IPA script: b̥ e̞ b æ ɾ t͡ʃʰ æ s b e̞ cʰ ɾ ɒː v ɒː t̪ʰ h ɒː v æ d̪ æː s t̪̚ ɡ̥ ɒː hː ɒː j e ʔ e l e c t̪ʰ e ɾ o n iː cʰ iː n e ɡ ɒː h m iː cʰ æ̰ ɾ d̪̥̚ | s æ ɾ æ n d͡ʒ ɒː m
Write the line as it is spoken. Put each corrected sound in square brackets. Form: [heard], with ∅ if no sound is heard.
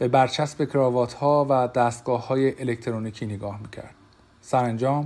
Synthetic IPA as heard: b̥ e̞ b æ ɾ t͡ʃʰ æ s b e̞ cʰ ɾ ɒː v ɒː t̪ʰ h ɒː v æ d̪ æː s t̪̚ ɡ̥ ɒː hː ɒː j e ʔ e l e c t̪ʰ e ɾ o n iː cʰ iː n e ɡ ɒː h m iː cʰ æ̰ ɾ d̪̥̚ | s æ ɾ æ n d͡ʒ ɒː m